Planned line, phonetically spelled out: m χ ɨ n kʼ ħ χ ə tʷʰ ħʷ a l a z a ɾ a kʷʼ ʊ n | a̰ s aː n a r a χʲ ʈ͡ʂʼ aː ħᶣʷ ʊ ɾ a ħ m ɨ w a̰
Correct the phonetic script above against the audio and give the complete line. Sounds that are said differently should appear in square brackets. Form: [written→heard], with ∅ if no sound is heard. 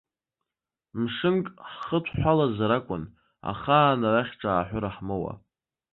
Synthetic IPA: m [χ→ʂ] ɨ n kʼ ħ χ ə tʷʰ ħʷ a l a z a ɾ a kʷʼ ʊ n | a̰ [s→χ] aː n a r a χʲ ʈ͡ʂʼ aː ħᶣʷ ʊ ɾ a ħ m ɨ w a̰